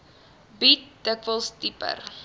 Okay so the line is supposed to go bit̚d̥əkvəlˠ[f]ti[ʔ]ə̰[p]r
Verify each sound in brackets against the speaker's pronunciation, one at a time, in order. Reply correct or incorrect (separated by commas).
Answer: incorrect, incorrect, incorrect